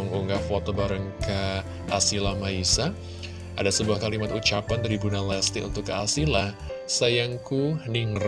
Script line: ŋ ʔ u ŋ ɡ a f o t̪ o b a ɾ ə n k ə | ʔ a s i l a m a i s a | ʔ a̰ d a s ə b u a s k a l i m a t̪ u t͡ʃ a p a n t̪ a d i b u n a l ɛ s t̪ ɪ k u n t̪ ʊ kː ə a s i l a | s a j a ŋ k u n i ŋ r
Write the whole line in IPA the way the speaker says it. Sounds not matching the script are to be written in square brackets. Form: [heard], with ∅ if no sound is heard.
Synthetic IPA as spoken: ŋ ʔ u ŋ ɡ a f o t̪ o b a ɾ ə [ŋ] k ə | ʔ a s i l a m a i s a | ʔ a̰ d a s ə b u a [h] k a l i m a t̪ u t͡ʃ a p a n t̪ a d i b u n a l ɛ s t̪ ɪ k u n t̪ ʊ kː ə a s i l a | s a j a ŋ k u n i ŋ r